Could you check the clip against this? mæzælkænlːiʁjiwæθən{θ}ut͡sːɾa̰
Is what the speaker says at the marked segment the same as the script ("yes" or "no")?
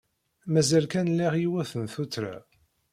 yes